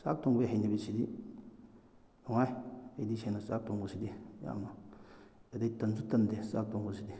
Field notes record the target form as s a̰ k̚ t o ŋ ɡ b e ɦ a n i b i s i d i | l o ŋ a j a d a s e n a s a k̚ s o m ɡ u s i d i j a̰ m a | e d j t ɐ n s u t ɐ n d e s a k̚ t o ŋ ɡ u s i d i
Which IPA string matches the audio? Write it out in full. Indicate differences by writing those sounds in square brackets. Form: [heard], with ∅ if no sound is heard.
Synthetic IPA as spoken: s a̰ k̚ t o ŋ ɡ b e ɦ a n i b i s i d i | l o ŋ a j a d [i] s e n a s a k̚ [t] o [ŋ] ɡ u s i d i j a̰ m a | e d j t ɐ n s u t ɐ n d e s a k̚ t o ŋ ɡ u s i d i